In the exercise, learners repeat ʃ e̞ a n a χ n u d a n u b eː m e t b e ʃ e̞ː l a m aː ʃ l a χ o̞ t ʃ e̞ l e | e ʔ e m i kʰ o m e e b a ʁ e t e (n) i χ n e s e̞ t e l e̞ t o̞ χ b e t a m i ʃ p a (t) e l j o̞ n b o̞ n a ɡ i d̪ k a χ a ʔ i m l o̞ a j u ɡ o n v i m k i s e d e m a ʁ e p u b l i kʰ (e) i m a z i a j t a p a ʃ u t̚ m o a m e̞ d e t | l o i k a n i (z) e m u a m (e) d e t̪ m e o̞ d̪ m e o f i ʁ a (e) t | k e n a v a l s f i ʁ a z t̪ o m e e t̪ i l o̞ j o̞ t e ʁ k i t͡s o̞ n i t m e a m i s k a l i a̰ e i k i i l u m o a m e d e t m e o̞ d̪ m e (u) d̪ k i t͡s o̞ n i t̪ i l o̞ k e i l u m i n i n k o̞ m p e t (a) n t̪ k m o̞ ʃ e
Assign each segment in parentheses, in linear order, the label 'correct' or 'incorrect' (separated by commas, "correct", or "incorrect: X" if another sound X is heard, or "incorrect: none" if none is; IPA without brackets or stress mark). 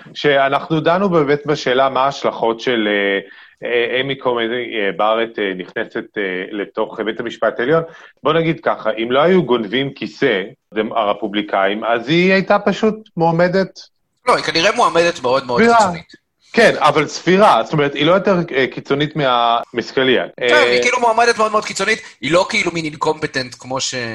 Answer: correct, correct, incorrect: a, incorrect: ʁ, correct, incorrect: i, incorrect: o, incorrect: e